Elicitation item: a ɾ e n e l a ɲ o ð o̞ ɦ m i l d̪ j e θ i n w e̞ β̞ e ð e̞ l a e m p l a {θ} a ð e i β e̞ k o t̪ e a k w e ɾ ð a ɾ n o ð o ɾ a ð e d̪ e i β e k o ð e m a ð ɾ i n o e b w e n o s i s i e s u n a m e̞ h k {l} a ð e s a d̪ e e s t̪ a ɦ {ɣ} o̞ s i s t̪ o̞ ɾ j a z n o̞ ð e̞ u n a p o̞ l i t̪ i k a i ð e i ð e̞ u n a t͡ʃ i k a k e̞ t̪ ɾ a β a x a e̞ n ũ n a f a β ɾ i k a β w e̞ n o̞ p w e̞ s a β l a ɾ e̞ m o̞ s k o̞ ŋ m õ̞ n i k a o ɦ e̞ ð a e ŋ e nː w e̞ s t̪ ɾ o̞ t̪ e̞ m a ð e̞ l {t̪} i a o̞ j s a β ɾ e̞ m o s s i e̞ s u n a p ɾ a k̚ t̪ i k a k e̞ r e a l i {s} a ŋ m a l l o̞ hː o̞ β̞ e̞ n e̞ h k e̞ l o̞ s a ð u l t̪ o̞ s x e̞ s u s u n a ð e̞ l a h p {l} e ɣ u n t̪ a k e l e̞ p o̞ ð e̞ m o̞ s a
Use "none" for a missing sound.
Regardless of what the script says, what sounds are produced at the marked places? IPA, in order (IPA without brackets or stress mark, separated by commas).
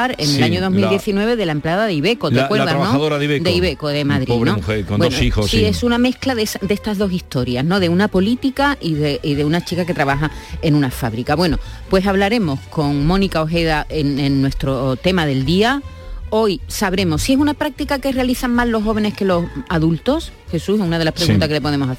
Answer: ð, l, ð, d̪, θ, ɾ